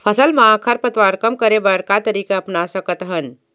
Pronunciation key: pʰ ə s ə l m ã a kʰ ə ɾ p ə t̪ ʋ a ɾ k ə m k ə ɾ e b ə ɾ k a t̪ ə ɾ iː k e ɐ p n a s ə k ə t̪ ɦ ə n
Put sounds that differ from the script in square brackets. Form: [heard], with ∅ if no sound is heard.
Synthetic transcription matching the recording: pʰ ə s ə l m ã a kʰ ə ɾ p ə t̪ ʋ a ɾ k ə m k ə ɾ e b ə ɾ k a t̪ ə ɾ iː k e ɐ p n a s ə k ə t̪ ɦ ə n